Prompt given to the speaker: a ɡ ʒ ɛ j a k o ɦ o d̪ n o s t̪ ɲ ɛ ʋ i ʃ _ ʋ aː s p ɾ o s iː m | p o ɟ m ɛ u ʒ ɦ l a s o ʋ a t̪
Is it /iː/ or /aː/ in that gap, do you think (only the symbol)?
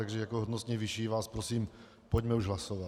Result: iː